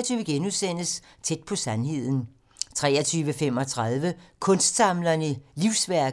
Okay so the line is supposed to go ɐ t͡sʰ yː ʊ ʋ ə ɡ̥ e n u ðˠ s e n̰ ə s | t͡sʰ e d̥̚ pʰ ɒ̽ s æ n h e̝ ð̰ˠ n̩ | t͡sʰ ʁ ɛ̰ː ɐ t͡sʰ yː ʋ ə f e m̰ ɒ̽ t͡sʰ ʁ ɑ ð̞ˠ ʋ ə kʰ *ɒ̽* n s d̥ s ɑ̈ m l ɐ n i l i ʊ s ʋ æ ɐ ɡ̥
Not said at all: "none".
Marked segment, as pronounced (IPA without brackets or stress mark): ɔ̽